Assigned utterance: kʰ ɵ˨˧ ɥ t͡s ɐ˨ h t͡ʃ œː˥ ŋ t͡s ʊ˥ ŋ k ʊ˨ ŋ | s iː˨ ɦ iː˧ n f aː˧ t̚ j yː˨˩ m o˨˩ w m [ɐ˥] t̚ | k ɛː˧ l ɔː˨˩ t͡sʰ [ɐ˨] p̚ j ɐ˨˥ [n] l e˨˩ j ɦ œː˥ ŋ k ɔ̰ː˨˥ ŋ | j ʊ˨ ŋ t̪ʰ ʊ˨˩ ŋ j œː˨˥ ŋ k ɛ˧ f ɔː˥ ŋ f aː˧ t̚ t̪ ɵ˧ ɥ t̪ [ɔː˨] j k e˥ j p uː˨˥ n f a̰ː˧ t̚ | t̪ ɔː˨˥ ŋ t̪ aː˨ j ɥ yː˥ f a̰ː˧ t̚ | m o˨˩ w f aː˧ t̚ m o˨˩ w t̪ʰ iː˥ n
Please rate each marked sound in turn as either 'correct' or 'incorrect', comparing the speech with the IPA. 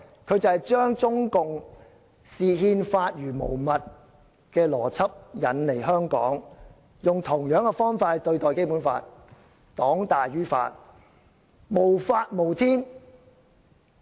incorrect: ɐ˨, incorrect: ɐ˥, correct, correct

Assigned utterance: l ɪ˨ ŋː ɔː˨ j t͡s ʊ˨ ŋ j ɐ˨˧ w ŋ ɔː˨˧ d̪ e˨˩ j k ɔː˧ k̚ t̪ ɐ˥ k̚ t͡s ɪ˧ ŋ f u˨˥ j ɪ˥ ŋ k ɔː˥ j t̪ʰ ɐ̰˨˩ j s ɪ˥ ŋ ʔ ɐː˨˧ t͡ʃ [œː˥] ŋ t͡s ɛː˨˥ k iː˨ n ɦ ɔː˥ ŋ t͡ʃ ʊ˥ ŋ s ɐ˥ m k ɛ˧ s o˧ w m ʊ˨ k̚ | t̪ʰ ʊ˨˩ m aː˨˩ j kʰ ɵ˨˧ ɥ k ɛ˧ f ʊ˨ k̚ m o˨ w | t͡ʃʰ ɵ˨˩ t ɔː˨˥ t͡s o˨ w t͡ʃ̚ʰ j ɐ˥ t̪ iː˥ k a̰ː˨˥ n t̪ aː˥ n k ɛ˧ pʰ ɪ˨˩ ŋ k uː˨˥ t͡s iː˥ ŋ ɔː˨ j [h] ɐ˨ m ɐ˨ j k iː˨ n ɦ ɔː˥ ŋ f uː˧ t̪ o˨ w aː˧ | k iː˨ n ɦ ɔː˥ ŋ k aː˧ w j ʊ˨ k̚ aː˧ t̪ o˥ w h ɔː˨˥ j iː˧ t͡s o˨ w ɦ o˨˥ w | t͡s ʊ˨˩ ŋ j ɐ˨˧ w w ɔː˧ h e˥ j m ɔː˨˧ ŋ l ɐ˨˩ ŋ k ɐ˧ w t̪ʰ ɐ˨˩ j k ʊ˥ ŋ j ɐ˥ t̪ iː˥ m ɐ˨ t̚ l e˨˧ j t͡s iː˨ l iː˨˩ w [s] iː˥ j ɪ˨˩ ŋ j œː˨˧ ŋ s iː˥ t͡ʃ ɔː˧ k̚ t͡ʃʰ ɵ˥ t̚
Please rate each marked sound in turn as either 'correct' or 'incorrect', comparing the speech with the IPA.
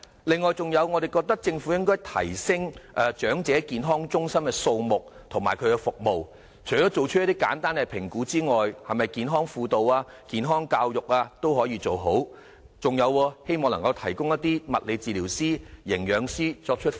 incorrect: œː˨˥, correct, correct

